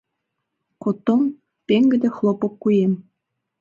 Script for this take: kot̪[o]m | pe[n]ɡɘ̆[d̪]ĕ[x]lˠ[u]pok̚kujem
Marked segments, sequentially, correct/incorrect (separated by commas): correct, incorrect, correct, correct, incorrect